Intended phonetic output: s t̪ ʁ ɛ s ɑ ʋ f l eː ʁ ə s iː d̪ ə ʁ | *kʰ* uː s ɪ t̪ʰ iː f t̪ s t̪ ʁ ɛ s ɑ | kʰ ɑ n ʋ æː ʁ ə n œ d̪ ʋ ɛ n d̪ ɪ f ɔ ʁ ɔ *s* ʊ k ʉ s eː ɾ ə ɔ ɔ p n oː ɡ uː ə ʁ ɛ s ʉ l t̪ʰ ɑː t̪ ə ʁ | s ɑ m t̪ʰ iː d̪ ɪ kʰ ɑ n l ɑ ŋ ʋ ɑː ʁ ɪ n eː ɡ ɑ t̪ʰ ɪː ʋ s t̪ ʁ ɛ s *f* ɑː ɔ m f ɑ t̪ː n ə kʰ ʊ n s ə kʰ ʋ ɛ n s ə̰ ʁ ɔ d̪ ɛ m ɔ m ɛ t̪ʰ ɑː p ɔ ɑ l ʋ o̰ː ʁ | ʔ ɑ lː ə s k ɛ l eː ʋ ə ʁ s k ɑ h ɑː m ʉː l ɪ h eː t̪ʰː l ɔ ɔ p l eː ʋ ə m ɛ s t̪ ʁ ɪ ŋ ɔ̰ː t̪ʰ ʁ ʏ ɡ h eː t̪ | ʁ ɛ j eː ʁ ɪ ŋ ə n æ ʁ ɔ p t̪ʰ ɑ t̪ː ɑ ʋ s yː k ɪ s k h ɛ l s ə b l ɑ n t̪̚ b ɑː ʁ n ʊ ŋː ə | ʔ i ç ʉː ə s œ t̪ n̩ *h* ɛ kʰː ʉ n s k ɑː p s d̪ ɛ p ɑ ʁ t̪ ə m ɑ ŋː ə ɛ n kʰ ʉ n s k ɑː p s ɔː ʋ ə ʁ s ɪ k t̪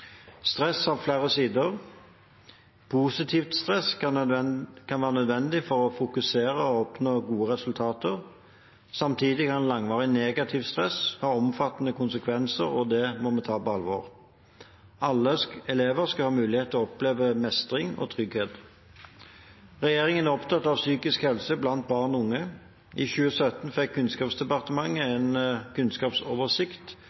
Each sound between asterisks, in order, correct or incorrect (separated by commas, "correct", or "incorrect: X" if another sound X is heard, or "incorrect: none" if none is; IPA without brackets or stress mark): incorrect: pʰ, incorrect: f, incorrect: h, incorrect: f